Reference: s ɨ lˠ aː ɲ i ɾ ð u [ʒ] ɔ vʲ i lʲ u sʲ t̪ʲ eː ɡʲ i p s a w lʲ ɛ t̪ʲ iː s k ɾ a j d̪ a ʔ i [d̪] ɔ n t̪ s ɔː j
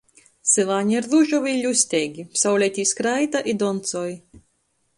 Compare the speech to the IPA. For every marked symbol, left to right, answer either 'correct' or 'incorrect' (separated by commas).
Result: correct, correct